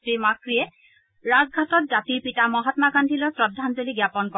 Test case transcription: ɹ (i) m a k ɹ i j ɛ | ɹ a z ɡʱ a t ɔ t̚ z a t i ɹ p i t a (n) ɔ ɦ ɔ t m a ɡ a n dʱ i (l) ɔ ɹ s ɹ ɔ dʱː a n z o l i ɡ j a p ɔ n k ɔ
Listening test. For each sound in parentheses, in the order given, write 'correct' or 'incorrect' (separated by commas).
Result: correct, incorrect, correct